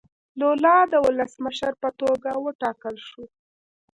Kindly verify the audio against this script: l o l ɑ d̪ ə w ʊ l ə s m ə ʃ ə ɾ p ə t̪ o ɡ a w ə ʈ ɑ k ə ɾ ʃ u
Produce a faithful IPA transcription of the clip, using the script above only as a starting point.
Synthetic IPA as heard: l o l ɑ d̪ ə w ʊ l ə s m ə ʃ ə ɾ p ə t̪ o ɡ a w ə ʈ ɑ k ə l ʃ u